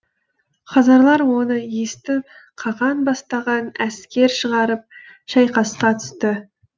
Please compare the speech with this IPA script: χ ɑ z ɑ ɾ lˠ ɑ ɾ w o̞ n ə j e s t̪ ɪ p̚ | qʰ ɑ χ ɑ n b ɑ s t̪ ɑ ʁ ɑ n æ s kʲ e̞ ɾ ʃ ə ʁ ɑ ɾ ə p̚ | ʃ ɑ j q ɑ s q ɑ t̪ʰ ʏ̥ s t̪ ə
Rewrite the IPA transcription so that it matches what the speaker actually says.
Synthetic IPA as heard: χ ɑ z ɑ ɾ lˠ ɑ ɾ w o̞ n ə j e s t̪ ɪ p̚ | qʰ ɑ ʁ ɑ n b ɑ s t̪ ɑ ʁ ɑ n æ s kʲ e̞ ɾ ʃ ə ʁ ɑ ɾ ə p̚ | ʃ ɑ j q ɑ s q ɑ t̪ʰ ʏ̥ s t̪ ə